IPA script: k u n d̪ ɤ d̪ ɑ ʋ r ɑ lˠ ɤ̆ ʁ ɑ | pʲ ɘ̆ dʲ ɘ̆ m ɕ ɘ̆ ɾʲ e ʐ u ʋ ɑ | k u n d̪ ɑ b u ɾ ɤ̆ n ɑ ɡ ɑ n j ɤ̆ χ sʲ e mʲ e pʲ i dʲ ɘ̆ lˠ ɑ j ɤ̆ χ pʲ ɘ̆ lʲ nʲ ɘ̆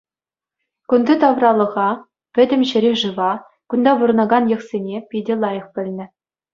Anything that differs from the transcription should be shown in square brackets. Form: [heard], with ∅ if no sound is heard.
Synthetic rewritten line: k u n d̪ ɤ [t̪] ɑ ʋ r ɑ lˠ ɤ̆ ʁ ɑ | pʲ ɘ̆ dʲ ɘ̆ m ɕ ɘ̆ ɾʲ e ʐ [ɯ] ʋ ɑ | k u n d̪ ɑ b u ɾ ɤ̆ n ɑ ɡ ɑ n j ɤ̆ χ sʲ e [nʲ] e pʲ i dʲ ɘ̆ lˠ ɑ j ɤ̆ χ pʲ ɘ̆ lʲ nʲ ɘ̆